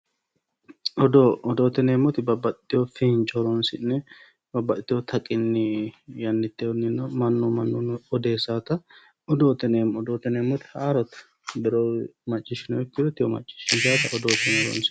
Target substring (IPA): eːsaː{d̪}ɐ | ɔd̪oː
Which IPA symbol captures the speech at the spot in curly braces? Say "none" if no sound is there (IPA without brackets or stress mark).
t̪